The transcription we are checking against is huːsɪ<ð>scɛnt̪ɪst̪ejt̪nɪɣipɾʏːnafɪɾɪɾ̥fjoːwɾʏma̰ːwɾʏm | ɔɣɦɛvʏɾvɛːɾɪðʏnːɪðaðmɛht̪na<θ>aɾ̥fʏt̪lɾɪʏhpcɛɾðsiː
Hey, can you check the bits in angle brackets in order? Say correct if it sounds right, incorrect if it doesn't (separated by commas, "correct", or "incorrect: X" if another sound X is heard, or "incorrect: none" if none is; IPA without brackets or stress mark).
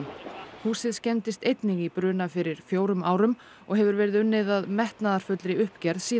correct, incorrect: ð